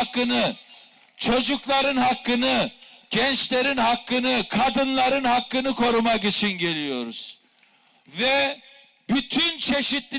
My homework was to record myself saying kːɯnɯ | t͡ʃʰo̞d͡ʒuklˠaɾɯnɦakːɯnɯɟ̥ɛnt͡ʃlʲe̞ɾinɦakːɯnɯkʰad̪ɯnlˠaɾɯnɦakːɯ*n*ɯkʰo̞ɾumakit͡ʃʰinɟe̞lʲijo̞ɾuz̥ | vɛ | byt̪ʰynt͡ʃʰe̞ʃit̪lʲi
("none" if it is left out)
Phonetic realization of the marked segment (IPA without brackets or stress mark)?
n